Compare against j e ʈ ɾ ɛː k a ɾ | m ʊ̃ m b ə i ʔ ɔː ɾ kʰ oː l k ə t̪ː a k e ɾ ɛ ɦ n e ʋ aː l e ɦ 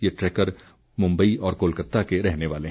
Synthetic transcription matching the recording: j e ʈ ɾ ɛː k ə ɾ | m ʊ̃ m b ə i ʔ ɔː ɾ k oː l k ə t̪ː a k e ɾ ɛ ɦ n e ʋ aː l e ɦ